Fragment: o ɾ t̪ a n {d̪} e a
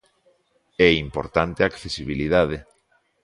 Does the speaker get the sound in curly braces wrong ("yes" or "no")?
yes